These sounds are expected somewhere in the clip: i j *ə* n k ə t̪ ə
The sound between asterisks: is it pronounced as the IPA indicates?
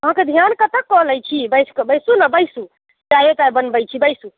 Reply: no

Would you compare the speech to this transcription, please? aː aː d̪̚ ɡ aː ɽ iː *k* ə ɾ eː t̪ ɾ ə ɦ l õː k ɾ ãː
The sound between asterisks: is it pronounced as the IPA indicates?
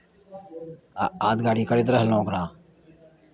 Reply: yes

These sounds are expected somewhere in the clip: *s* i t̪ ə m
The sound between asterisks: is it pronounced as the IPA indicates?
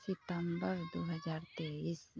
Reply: yes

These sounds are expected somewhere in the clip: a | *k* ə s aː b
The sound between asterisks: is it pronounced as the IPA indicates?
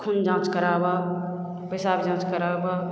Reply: no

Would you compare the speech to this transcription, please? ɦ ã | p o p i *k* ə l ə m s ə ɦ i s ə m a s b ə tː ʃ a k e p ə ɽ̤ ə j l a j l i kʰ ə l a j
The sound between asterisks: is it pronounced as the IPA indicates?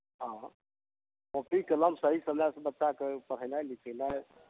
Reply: yes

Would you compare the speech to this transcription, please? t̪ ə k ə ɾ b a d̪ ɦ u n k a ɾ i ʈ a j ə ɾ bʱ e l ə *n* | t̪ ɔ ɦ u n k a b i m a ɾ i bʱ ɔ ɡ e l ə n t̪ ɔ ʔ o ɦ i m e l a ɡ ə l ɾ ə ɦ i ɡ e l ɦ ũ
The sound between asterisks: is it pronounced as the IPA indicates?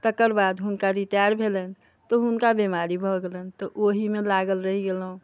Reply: yes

